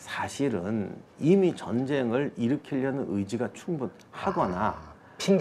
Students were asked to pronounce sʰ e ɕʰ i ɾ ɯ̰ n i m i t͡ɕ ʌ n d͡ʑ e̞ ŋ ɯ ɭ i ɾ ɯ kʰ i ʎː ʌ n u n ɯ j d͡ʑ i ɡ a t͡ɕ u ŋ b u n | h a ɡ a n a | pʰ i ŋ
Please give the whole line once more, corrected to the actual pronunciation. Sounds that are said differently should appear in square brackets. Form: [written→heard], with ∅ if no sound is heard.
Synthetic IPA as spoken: sʰ [e→a] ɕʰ i ɾ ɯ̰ n i m i t͡ɕ ʌ n d͡ʑ e̞ ŋ ɯ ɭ i ɾ ɯ kʰ i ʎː ʌ n [u→ɯ] n ɯ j d͡ʑ i ɡ a [t͡ɕ→t͡ɕʰ] u ŋ b u n | h a ɡ [a→ʌ] n a | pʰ i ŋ